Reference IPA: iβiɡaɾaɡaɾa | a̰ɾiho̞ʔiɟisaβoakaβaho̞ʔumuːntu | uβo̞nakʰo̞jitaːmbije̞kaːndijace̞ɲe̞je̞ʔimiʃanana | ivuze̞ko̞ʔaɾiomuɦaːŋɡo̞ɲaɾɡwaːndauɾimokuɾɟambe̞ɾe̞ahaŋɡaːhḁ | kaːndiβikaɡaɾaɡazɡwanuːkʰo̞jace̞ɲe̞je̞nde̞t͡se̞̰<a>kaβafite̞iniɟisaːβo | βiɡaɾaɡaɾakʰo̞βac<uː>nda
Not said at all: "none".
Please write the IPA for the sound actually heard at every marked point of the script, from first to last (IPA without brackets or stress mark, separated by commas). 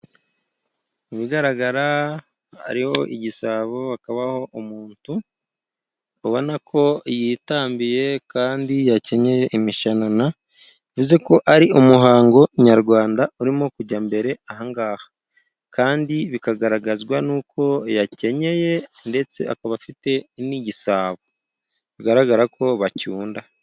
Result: a, uː